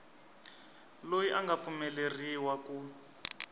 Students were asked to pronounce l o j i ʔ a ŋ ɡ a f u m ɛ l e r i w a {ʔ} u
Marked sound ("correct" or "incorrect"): incorrect